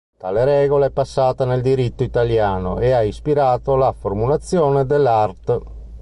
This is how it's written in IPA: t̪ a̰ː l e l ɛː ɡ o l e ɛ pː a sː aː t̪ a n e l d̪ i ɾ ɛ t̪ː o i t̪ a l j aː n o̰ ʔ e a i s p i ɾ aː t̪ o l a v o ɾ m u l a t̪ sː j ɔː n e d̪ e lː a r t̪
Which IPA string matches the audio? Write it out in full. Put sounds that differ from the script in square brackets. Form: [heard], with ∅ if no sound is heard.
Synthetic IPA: t̪ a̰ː l e [ɾ] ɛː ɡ o l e ɛ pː a sː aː t̪ a n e l d̪ i ɾ [i] t̪ː o i t̪ a l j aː n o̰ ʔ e a i s p i ɾ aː t̪ o l a [f] o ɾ m u l a t̪ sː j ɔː n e d̪ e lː a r t̪